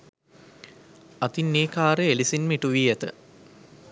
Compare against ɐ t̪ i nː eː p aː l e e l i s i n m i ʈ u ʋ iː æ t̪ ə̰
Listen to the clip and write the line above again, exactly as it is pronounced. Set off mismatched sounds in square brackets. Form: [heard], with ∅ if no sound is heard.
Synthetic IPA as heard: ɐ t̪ i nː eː [k] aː [ɾ] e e l i s i n m i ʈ u ʋ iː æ t̪ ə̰